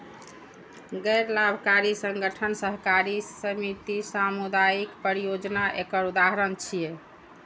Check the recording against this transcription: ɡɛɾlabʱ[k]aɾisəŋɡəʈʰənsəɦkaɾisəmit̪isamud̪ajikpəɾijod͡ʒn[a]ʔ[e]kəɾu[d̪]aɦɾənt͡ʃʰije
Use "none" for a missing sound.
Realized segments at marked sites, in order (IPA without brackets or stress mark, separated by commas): k, a, e, d̪